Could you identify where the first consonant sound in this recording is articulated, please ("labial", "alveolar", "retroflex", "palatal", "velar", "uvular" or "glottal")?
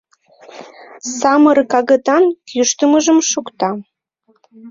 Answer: alveolar